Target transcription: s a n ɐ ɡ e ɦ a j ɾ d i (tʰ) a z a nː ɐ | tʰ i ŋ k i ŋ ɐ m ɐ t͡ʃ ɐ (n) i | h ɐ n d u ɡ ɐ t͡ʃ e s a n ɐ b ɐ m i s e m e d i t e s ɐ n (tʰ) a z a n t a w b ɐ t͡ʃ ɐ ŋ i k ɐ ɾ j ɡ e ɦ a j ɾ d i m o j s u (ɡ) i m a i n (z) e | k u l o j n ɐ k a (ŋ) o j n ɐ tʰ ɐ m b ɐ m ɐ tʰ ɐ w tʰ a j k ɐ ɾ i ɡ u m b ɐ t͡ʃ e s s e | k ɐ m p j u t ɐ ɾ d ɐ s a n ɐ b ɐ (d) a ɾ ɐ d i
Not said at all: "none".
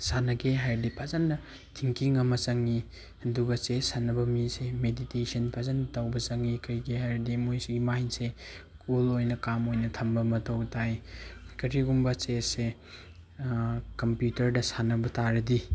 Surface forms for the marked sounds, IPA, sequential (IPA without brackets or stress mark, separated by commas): pʰ, ŋ, pʰ, ɡ, s, m, t